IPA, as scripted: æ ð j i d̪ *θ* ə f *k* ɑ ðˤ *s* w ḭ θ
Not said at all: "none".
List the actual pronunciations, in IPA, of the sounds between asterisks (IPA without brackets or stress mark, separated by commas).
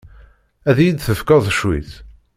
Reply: θ, k, ʃ